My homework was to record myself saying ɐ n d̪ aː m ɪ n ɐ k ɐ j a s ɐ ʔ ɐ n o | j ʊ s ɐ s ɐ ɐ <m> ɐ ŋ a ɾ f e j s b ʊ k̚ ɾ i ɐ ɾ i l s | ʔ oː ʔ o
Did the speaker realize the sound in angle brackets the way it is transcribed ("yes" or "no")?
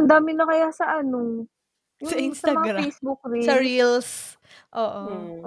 yes